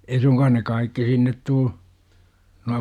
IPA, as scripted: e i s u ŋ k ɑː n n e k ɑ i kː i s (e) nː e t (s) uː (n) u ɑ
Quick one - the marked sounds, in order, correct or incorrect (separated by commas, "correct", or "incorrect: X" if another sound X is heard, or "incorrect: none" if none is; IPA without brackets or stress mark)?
incorrect: i, incorrect: t, correct